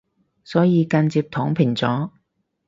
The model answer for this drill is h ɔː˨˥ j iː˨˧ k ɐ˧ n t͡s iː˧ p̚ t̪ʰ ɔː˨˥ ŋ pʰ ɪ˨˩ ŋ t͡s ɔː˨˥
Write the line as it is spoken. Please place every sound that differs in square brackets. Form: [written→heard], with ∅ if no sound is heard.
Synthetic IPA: [h→s] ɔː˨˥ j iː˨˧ k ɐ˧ n t͡s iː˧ p̚ t̪ʰ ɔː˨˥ ŋ pʰ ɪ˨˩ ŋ t͡s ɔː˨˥

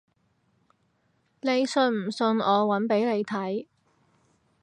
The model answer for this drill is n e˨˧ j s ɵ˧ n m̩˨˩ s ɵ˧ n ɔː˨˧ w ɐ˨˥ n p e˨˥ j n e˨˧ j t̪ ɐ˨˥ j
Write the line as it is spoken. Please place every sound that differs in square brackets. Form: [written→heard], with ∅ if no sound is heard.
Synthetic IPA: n e˨˧ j s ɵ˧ n m̩˨˩ s ɵ˧ n ɔː˨˧ w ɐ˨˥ n p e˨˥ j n e˨˧ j [t̪→t̪ʰ] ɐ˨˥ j

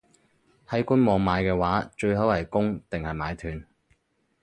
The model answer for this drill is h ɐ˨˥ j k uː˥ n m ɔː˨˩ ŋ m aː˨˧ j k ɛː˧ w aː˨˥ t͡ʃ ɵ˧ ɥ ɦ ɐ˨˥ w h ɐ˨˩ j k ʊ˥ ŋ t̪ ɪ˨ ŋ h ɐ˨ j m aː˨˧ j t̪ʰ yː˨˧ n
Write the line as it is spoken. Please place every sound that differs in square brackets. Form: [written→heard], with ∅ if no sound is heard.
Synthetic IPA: h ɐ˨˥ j k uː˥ n m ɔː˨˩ ŋ m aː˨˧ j k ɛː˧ w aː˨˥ t͡ʃ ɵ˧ ɥ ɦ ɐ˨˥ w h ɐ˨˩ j k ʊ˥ ŋ t̪ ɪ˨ ŋ h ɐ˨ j m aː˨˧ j t̪ʰ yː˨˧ n

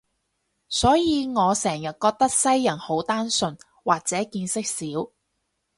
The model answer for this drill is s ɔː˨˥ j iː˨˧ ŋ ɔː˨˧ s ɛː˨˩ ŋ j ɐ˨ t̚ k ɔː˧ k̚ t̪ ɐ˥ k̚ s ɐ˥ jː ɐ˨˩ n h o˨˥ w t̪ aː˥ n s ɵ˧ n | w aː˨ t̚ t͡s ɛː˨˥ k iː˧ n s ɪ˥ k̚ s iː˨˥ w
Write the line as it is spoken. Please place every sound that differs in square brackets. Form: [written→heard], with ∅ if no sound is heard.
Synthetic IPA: s ɔː˨˥ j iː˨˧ ŋ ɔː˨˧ s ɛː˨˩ ŋ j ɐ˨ t̚ k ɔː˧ k̚ t̪ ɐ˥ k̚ s ɐ˥ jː ɐ˨˩ n h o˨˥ w t̪ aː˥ n s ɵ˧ n | w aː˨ [t̚→k̚] t͡s ɛː˨˥ k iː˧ n s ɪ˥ k̚ s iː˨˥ w

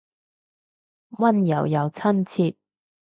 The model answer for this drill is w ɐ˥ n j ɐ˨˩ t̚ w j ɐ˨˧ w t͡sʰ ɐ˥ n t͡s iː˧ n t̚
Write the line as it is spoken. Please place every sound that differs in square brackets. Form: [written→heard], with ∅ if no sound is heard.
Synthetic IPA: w ɐ˥ n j ɐ˨˩ [t̚→∅] w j ɐ˨˧ w t͡sʰ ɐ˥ n [t͡s→t͡sʰ] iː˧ [n→∅] t̚

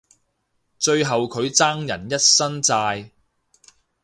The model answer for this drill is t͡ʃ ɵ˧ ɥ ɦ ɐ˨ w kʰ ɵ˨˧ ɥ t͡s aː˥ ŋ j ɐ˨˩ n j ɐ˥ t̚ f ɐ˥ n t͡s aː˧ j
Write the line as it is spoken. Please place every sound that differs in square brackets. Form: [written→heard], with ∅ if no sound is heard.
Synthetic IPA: t͡ʃ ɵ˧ ɥ ɦ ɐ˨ w kʰ ɵ˨˧ ɥ t͡s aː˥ ŋ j ɐ˨˩ n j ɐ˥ t̚ [f→s] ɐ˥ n t͡s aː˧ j

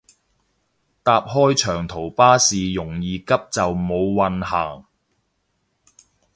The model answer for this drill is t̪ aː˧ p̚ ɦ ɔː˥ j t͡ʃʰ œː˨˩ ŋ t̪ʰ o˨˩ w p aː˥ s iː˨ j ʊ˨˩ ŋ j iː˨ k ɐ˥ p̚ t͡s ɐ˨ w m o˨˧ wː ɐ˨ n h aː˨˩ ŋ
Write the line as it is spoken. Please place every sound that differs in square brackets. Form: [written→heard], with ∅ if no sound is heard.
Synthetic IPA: t̪ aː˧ p̚ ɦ ɔː˥ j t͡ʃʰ œː˨˩ ŋ t̪ʰ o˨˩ w p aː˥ s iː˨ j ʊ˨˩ ŋ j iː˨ k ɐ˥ p̚ t͡s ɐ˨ w m o˨˧ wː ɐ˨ n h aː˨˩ ŋ

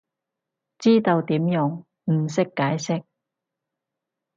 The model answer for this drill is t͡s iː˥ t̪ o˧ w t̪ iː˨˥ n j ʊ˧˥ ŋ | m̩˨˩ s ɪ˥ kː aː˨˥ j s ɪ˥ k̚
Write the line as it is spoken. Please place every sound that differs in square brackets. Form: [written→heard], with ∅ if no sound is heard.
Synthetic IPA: t͡s iː˥ t̪ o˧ w t̪ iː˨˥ [n→m] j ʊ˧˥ ŋ | m̩˨˩ s ɪ˥ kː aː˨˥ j s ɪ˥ k̚

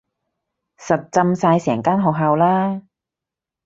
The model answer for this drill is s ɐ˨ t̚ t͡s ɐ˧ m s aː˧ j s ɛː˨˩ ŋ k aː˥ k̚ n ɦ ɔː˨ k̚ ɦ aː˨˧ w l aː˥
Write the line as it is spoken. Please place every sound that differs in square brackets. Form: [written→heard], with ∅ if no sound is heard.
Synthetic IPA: s ɐ˨ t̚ t͡s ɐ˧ m s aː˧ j s ɛː˨˩ ŋ k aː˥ [k̚→∅] n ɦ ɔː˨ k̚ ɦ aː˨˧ w l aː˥

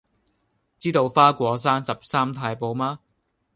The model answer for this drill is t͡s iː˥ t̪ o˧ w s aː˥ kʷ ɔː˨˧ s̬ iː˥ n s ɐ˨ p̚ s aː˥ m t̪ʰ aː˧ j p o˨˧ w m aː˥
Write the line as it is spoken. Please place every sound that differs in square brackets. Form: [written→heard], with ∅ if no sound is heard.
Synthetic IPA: t͡s iː˥ t̪ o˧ w [s→f] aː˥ kʷ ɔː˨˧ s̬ [iː˥→aː˥] n s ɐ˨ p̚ s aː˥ m t̪ʰ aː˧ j p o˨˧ w m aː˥

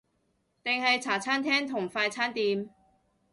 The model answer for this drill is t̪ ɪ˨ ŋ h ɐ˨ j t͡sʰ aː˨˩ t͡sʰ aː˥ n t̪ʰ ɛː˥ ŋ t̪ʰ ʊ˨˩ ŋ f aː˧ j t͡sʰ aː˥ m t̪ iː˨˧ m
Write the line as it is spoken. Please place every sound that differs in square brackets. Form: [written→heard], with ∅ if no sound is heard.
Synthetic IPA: t̪ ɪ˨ ŋ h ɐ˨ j t͡sʰ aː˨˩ t͡sʰ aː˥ n t̪ʰ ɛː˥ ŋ t̪ʰ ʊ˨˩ ŋ f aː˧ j t͡sʰ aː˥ [m→n] t̪ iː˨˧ m

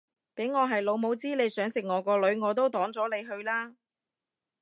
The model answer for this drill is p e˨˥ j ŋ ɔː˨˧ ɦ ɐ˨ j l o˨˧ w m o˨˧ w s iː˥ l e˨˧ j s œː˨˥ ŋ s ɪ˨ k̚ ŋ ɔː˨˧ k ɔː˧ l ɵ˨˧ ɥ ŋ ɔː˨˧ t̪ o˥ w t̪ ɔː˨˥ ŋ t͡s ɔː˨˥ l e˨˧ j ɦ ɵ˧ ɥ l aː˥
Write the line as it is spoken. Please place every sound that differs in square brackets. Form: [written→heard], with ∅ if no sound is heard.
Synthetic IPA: p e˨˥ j ŋ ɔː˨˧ ɦ ɐ˨ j l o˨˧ w m o˨˧ w [s→t͡s] iː˥ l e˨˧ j s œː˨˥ ŋ s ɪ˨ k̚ ŋ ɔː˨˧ k ɔː˧ l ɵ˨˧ ɥ ŋ ɔː˨˧ t̪ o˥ w t̪ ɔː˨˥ ŋ t͡s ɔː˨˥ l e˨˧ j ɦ ɵ˧ ɥ l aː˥

